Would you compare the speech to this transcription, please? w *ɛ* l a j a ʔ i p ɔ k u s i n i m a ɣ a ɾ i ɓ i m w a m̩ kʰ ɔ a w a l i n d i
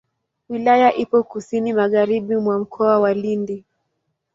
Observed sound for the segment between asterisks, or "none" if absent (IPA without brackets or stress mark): i